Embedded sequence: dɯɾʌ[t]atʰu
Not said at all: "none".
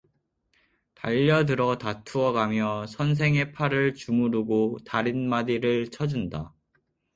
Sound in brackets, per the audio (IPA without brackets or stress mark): t